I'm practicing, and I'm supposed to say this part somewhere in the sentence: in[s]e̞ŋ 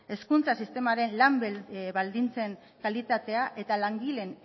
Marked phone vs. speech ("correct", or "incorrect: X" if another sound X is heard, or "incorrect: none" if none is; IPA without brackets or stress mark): incorrect: t͡s